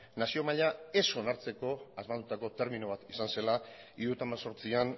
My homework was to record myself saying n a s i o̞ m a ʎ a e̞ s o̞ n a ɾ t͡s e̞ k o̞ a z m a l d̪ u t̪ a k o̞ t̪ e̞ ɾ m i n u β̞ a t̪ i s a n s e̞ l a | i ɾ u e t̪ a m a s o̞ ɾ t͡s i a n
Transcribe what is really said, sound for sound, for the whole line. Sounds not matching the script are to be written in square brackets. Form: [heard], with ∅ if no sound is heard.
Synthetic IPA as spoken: n a s i o̞ m a ʎ a e̞ s o̞ n a ɾ t͡s e̞ k o̞ a z m a l d̪ u t̪ a k o̞ t̪ e̞ ɾ m i n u β̞ a t̪ i s a n s e̞ l a | i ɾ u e t̪ a m a s o̞ ɾ t͡s i a n